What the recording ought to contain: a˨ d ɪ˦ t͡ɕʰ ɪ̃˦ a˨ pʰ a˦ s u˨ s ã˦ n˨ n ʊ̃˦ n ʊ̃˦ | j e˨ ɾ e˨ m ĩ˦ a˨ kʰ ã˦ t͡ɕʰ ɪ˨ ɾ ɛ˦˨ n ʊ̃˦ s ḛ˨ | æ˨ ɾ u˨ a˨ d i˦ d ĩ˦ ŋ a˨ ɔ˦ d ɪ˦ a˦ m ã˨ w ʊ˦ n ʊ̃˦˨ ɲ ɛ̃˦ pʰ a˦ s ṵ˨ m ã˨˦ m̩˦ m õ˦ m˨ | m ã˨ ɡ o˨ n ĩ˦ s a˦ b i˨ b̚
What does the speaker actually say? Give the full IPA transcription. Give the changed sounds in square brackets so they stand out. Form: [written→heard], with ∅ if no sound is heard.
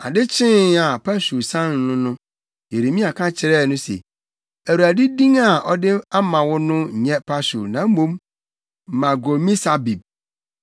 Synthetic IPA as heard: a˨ d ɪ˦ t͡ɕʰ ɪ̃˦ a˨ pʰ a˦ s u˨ s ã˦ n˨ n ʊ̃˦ n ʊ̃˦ | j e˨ ɾ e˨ m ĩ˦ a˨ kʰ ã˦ t͡ɕʰ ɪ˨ ɾ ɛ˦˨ n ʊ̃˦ s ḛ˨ | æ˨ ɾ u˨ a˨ d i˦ d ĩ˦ ŋ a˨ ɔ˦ d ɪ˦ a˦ m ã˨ w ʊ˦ n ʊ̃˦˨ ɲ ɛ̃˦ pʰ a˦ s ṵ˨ [m→n] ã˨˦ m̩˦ m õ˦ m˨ | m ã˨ ɡ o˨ [n→m] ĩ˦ s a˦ b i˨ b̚